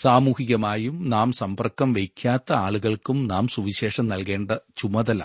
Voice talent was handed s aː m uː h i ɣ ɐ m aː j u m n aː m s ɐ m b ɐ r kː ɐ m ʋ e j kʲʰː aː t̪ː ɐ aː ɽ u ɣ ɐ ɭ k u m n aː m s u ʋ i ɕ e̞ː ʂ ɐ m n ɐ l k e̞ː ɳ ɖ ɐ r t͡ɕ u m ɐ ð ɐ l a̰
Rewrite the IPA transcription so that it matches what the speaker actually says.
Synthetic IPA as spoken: s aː m uː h i ɣ ɐ m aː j u m n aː m s ɐ m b ɐ r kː ɐ m ʋ e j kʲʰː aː t̪ː ɐ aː ɭ u ɣ ɐ ɭ k u m n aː m s u ʋ i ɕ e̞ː ʂ ɐ m n ɐ l k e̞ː ɳ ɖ ɐ t͡ɕ u m ɐ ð ɐ l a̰